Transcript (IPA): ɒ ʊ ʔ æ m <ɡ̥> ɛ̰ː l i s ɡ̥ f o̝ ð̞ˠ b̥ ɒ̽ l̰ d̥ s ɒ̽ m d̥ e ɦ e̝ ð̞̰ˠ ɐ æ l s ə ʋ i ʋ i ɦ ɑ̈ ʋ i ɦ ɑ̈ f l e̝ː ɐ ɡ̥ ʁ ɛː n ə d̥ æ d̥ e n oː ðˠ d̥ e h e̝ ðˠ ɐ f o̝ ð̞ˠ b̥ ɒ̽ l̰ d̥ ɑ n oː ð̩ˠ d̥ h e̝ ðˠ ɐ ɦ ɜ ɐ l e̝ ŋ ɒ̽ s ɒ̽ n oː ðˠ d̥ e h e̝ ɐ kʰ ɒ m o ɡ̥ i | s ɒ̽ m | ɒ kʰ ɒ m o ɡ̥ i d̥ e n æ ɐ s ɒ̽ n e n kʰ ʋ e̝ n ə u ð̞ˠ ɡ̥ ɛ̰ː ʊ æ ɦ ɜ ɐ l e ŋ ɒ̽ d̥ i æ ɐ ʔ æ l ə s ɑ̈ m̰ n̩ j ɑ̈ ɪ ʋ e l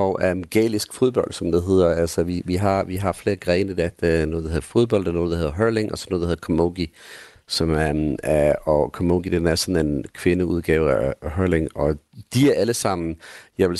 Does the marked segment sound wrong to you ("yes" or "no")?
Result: no